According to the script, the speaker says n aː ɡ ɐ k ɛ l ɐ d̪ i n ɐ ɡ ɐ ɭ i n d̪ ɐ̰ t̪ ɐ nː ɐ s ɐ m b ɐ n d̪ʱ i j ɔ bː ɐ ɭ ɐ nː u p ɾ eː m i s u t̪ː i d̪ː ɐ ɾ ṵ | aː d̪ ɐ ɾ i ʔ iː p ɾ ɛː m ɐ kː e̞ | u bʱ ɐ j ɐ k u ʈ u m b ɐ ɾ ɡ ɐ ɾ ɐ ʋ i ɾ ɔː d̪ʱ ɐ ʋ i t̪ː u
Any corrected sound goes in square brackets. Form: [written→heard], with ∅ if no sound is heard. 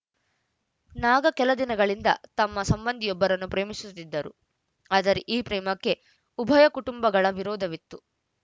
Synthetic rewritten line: n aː ɡ ɐ k ɛ l ɐ d̪ i n ɐ ɡ ɐ ɭ i n d̪ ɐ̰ t̪ ɐ [nː→mː] ɐ s ɐ m b ɐ n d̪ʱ i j ɔ bː ɐ [ɭ→ɾ] ɐ nː u p ɾ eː m i s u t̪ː i d̪ː ɐ ɾ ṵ | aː d̪ ɐ ɾ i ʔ iː p ɾ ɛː m ɐ kː e̞ | u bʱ ɐ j ɐ k u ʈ u m b ɐ [ɾ→∅] ɡ ɐ [ɾ→ɭ] ɐ ʋ i ɾ ɔː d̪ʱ ɐ ʋ i t̪ː u